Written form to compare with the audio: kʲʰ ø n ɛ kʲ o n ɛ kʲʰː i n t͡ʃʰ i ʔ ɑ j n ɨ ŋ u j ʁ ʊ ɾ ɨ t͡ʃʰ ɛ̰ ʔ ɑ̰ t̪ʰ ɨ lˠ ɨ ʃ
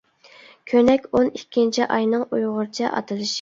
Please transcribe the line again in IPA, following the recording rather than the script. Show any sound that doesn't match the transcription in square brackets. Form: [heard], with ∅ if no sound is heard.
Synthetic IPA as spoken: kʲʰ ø n ɛ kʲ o n [i] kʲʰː i n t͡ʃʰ i ʔ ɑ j n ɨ ŋ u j ʁ ʊ ɾ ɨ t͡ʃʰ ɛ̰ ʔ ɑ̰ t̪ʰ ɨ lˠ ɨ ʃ